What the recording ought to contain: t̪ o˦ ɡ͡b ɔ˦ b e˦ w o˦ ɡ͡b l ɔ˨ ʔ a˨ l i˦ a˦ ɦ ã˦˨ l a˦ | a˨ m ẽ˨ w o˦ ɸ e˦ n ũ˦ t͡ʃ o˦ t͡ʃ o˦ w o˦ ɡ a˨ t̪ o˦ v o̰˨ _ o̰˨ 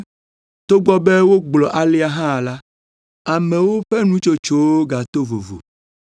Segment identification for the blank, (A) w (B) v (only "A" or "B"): B